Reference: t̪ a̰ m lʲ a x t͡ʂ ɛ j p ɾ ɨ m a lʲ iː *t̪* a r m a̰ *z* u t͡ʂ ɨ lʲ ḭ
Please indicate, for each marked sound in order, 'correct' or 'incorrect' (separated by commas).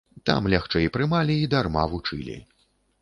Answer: incorrect, incorrect